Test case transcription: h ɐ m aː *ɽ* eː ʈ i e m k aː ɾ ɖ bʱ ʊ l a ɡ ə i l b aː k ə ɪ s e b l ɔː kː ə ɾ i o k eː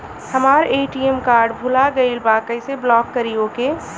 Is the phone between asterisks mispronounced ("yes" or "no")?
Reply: yes